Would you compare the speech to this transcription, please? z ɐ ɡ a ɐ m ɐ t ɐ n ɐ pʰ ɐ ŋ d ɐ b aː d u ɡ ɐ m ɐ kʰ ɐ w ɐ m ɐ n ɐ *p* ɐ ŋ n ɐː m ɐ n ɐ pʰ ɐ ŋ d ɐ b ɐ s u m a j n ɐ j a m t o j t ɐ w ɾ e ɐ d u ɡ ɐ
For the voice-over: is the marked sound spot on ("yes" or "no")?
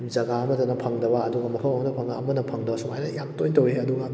no